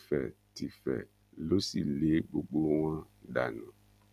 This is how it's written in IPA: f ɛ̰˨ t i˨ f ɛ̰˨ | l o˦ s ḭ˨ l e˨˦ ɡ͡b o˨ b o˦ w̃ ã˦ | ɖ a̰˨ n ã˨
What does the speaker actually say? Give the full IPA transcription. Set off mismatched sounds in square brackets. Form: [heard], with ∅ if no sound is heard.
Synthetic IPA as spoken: f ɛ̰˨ t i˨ f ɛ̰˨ | l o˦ s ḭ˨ l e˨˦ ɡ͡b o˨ [ɡ͡b] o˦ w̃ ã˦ | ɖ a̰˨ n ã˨